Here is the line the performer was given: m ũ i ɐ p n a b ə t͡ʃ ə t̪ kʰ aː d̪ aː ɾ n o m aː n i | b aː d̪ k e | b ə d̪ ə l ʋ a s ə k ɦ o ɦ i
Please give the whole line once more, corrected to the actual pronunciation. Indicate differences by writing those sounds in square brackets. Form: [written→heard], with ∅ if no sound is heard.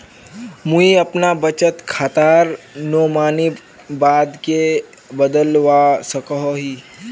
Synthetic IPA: m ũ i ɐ p n a b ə t͡ʃ ə t̪ kʰ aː [d̪→t̪] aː ɾ n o m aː n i | b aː d̪ k e | b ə d̪ ə l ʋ a s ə k ɦ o ɦ i